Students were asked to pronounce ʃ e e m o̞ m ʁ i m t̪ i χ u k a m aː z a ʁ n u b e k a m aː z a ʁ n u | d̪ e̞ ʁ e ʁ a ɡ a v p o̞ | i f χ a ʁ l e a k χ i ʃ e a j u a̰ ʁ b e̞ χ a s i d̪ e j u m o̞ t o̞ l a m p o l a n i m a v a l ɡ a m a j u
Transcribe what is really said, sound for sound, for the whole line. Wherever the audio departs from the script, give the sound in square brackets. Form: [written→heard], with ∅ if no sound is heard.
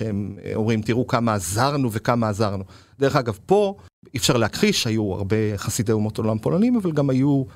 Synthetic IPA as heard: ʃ e e m o̞ m ʁ i m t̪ i [χ→ʁ] u k a m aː z a ʁ n u [b→v] e k a m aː z a ʁ n u | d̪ e̞ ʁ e [ʁ→χ] a ɡ a v p o̞ | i f [χ→ʃ] a ʁ l e a k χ i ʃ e a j u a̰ ʁ b e̞ χ a s i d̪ e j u m o̞ t o̞ l a m p o l a n i m a v a l ɡ a m a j u